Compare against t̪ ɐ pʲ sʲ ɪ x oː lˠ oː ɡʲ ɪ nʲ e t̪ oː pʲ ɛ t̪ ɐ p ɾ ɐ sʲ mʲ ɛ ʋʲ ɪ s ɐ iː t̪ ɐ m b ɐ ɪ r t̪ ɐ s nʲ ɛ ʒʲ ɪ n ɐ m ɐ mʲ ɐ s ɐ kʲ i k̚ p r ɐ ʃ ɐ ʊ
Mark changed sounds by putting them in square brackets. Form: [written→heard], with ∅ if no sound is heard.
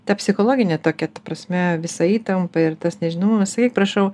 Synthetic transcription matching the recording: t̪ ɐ pʲ sʲ ɪ x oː lˠ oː ɡʲ ɪ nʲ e t̪ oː [pʲ→kʲ] ɛ t̪ ɐ p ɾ ɐ sʲ mʲ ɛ ʋʲ ɪ s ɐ iː t̪ ɐ m [b→p] ɐ ɪ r t̪ ɐ s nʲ ɛ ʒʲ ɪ n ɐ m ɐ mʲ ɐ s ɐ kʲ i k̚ p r ɐ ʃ ɐ ʊ